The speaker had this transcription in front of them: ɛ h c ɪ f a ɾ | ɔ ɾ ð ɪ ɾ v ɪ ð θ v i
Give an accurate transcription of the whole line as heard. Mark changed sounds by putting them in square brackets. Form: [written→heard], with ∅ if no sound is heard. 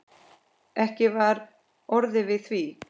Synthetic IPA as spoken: ɛ h c ɪ [f→v] a ɾ | ɔ ɾ ð ɪ [ɾ→∅] v ɪ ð θ v i

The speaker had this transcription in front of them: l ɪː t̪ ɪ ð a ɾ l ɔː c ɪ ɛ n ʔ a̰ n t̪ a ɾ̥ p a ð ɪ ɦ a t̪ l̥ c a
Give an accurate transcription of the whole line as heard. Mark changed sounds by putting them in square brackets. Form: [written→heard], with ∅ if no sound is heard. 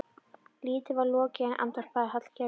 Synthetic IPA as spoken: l [ɪː→iː] t̪ ɪ [ð→v] a ɾ l ɔː c ɪ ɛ n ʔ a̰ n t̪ a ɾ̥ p a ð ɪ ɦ a t̪ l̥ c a

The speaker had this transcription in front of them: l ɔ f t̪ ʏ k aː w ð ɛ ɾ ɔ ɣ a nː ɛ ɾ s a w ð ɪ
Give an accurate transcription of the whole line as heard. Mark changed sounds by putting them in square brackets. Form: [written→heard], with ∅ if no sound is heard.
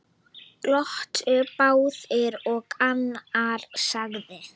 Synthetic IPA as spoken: l ɔ [f→h] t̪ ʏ [k→p] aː w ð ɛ ɾ ɔ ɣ a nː [ɛ→a] ɾ s a [w→ɣ] ð ɪ

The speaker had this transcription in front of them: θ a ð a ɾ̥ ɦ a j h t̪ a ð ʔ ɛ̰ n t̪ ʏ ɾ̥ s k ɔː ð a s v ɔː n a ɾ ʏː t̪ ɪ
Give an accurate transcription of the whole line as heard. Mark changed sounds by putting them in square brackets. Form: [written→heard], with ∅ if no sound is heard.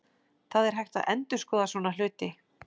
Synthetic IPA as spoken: θ a ð [a→ɛ] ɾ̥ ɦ a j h t̪ a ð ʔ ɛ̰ n t̪ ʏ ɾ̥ s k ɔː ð a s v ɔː n a [ɾ→l] ʏː t̪ ɪ

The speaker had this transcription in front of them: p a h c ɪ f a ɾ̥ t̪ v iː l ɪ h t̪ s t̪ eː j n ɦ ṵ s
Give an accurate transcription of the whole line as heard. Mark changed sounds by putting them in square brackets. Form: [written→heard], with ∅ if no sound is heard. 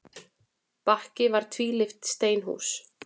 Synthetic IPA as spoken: p a h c ɪ [f→v] a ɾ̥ [t̪→t̪ʰ] v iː l ɪ [h→f] t̪ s t̪ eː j n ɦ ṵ s

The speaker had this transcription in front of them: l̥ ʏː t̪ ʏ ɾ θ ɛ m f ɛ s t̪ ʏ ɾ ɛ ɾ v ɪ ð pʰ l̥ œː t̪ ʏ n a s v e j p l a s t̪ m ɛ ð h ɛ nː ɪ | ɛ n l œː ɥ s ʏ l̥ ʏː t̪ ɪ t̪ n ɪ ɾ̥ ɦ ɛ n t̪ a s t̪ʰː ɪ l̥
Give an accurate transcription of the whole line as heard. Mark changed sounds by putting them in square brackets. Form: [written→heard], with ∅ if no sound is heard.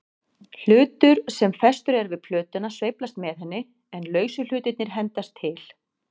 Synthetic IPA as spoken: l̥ ʏː t̪ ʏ ɾ [θ→s] ɛ m f ɛ s t̪ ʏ ɾ ɛ ɾ v ɪ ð pʰ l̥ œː t̪ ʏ n a s v e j p l a s t̪ m ɛ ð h ɛ nː ɪ | ɛ n l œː ɥ s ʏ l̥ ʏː t̪ ɪ t̪ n ɪ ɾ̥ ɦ ɛ n t̪ a s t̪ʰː ɪ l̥

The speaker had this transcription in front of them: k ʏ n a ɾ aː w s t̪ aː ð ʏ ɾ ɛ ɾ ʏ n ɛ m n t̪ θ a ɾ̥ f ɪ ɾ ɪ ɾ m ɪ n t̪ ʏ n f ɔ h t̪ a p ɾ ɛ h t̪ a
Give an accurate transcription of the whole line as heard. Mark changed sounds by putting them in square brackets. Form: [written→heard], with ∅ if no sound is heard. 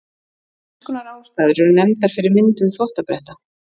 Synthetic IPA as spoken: k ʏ n a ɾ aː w s t̪ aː ð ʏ ɾ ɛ ɾ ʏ n ɛ m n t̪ θ a ɾ̥ f ɪ ɾ ɪ ɾ m ɪ n t̪ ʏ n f ɔ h t̪ a p ɾ ɛ h t̪ a

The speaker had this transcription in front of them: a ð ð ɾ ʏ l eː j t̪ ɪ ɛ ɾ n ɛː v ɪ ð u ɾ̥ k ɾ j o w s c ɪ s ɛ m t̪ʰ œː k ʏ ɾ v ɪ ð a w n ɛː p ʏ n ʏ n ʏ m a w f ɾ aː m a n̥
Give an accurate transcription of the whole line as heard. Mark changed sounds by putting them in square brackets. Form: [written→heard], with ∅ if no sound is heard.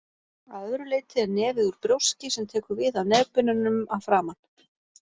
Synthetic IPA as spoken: a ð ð ɾ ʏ l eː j t̪ ɪ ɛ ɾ n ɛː v ɪ ð u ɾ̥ [k→p] ɾ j o w s c ɪ s ɛ m t̪ʰ [œː→ɛː] k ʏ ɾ v ɪ ð a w n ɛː p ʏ n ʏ n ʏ m a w f ɾ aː m a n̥

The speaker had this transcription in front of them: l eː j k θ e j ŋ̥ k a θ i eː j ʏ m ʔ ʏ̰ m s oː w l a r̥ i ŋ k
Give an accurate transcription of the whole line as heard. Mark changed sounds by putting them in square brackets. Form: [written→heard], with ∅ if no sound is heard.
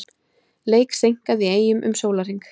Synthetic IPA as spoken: l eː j k [θ→s] e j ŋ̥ k a [θ→ð] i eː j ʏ m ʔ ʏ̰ m s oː w l a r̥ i ŋ k

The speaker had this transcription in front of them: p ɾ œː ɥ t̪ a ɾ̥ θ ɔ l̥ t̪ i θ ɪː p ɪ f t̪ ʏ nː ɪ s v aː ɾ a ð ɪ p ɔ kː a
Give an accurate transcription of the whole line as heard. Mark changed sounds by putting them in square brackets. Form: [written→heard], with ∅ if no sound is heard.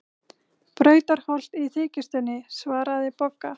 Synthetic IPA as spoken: p ɾ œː ɥ t̪ a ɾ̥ [θ→h] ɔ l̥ t̪ i θ ɪː [p→c] ɪ [f→s] t̪ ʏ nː ɪ s v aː ɾ a ð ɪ p ɔ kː a

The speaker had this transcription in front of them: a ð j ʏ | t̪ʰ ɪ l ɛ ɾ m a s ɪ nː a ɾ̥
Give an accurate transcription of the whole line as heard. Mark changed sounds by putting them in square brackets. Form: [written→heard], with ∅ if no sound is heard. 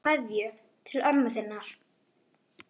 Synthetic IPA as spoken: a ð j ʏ | t̪ʰ ɪ l [ɛ→œ] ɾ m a [s→θ] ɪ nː a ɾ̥

